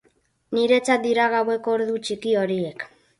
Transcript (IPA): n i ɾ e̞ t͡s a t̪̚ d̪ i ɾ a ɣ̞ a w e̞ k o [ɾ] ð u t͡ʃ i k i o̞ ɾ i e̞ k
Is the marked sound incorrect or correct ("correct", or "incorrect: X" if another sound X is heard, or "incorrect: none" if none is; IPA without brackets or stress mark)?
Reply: correct